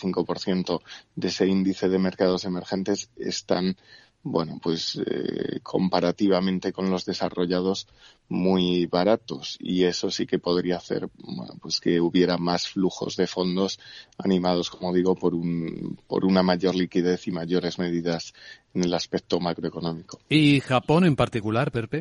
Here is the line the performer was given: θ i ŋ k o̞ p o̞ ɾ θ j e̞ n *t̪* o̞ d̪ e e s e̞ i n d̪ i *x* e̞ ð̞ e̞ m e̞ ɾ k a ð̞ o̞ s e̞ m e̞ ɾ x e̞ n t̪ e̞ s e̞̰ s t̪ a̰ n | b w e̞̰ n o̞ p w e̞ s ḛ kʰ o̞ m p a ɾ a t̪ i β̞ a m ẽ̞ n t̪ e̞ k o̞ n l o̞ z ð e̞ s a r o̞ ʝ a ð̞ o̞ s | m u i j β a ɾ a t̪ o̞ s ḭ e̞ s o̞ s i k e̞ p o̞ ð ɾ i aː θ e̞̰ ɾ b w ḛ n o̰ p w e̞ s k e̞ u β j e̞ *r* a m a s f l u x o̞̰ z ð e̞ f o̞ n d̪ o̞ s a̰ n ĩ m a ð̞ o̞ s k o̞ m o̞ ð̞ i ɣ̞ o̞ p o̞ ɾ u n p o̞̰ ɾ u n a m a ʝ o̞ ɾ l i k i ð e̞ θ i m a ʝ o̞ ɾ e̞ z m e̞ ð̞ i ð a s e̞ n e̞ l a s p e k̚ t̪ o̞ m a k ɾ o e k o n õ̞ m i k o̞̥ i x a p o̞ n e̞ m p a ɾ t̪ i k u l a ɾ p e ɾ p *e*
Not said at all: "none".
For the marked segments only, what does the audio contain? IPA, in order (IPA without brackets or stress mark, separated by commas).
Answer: t̪, θ, ɾ, e